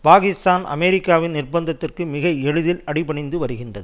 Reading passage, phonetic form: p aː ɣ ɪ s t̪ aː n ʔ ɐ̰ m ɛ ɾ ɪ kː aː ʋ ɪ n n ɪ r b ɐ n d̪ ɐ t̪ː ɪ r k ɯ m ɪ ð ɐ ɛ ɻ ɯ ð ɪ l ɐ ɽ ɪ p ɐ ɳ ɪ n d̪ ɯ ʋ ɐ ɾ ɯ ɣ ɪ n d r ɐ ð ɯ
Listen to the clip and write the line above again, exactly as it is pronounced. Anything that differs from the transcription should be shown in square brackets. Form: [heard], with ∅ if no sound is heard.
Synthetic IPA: p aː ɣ ɪ s t̪ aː n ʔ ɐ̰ m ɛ ɾ ɪ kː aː ʋ ɪ n n ɪ r b ɐ n d̪ ɐ t̪ː ɪ r k ɯ m ɪ [ɣ] ɐ ɛ ɻ ɯ ð ɪ l ɐ ɽ ɪ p ɐ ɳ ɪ n d̪ ɯ ʋ ɐ ɾ ɯ ɣ ɪ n d r ɐ ð ɯ